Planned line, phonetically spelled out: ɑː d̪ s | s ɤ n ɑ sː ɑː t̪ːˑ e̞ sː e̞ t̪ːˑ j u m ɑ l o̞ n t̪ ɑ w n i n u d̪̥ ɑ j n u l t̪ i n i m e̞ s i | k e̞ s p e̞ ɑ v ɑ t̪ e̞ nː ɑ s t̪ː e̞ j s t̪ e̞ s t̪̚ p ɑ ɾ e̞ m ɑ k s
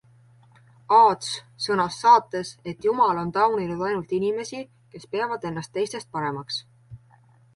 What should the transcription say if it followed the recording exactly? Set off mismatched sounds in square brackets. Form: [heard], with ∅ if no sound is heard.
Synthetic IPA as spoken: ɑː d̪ s | s ɤ n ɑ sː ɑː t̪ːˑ e̞ [s] e̞ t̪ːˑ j u m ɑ l o̞ n t̪ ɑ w n i n u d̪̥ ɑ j n u l t̪ i n i m e̞ s i | k e̞ s p e̞ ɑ v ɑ [d̪] e̞ nː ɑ s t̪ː e̞ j s t̪ e̞ s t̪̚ p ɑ ɾ e̞ m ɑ k s